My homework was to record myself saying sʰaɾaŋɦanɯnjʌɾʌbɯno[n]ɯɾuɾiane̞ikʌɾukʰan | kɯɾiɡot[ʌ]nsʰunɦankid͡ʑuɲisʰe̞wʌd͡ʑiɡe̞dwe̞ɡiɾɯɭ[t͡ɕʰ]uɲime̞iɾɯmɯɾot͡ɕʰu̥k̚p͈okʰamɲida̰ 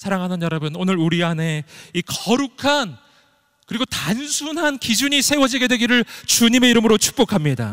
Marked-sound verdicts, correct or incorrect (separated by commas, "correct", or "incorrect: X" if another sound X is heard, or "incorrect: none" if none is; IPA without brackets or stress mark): correct, incorrect: a, incorrect: t͡ɕ